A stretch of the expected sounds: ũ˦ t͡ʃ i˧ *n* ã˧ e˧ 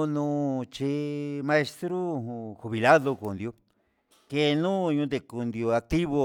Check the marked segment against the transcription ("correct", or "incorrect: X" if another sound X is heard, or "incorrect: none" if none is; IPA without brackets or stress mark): incorrect: m